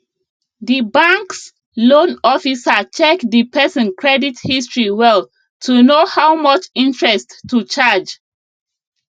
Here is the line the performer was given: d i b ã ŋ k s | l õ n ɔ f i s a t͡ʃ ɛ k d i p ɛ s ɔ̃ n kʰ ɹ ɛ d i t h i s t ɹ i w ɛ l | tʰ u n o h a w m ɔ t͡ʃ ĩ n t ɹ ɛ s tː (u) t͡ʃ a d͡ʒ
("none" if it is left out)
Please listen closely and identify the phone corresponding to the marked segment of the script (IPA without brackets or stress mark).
u